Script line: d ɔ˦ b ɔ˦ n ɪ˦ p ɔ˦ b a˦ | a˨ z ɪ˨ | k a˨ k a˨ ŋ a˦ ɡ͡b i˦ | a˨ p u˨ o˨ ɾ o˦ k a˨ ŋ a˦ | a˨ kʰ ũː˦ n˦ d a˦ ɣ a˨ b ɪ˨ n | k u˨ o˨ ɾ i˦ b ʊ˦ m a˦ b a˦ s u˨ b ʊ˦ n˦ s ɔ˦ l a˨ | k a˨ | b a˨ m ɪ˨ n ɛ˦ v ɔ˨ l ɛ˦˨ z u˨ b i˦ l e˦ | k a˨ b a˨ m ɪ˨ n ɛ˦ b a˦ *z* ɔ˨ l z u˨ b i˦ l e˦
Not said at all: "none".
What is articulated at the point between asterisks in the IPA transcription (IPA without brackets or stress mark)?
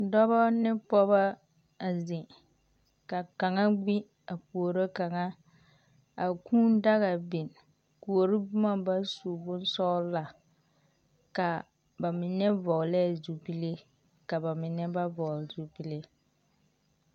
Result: v